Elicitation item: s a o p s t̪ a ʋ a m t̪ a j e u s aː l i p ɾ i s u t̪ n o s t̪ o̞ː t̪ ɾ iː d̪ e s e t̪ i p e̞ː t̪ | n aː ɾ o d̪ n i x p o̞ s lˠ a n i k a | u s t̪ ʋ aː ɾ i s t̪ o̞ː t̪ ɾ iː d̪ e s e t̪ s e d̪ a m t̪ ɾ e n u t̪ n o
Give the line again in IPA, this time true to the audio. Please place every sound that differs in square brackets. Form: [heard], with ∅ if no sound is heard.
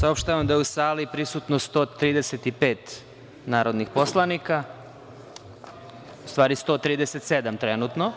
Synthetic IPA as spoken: s a o p [ʃ] t̪ a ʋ a m [d̪] a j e u s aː l i p ɾ i s u t̪ n o s t̪ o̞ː t̪ ɾ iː d̪ e s e t̪ i p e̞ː t̪ | n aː ɾ o d̪ n i x p o̞ s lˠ a n i k a | u s t̪ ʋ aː ɾ i s t̪ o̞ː t̪ ɾ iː d̪ e s e t̪ s e d̪ a m t̪ ɾ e n u t̪ n o